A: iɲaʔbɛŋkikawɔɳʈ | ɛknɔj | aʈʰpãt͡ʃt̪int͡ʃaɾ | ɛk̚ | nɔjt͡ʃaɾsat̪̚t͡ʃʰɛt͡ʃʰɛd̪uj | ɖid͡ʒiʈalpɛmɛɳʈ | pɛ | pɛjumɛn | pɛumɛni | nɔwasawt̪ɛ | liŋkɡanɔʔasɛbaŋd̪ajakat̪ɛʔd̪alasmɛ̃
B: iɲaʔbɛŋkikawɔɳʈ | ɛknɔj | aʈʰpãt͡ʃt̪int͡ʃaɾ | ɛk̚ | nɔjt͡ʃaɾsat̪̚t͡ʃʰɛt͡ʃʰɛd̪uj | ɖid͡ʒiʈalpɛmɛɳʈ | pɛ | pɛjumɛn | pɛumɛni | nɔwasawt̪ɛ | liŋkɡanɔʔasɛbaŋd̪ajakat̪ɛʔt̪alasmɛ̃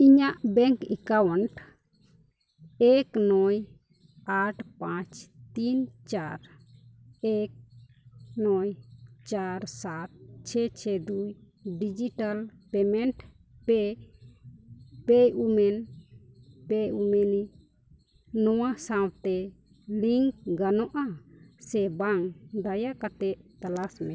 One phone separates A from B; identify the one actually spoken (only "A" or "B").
B